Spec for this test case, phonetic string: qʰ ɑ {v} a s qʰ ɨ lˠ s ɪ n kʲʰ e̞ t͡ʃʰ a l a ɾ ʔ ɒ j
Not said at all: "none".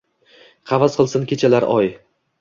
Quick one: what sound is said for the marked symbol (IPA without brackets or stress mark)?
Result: v